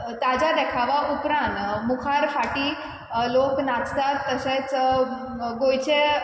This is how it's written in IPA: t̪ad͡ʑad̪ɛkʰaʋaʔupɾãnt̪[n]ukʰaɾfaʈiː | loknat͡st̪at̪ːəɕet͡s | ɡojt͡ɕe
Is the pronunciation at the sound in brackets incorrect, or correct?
incorrect